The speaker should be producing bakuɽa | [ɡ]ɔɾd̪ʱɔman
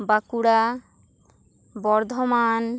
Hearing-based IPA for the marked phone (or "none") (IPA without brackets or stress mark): b